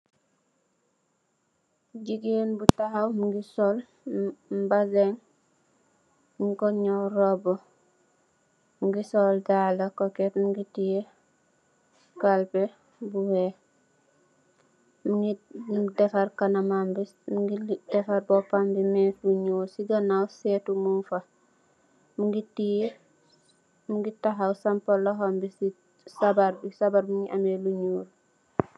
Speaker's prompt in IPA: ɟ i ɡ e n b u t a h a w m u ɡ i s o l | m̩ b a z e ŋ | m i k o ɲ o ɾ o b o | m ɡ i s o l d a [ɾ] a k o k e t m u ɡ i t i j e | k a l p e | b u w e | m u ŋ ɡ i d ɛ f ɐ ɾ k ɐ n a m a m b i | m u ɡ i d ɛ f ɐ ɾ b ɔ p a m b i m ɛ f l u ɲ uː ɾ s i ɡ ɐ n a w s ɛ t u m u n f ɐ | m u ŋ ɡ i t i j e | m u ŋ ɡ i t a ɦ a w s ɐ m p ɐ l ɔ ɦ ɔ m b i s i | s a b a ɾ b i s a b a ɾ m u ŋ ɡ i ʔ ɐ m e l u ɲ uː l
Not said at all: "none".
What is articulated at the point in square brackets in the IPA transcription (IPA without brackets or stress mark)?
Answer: l